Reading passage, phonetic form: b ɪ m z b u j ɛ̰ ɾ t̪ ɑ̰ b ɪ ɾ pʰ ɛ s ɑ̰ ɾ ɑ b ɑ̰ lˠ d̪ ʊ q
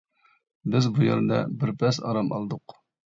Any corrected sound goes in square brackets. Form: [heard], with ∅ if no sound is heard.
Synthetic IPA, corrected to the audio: b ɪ [∅] z b u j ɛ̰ ɾ [d̪] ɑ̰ b ɪ ɾ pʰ ɛ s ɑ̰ ɾ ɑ [m] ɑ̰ lˠ d̪ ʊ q